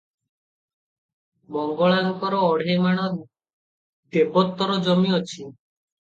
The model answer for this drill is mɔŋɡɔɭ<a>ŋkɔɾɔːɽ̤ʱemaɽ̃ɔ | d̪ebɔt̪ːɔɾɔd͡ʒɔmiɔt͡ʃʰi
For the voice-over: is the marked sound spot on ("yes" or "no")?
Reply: yes